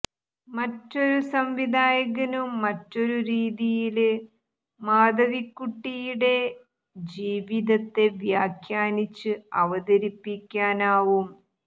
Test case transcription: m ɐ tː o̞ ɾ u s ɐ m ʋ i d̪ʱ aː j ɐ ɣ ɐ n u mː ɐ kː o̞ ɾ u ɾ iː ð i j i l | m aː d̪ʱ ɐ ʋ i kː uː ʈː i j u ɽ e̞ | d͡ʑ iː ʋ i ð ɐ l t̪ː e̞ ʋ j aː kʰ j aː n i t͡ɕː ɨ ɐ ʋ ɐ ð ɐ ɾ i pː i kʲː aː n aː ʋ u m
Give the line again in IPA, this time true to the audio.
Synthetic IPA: m ɐ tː o̞ ɾ u s ɐ m ʋ i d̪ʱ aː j ɐ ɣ ɐ n u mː ɐ tː o̞ ɾ u ɾ iː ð i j i l | m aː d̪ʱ ɐ ʋ i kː u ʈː i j u ɽ e̞ | d͡ʑ iː ʋ i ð ɐ t̪ː e̞ ʋ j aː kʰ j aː n i t͡ɕː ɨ ɐ ʋ ɐ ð ɐ ɾ i pː i kʲː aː n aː ʋ u m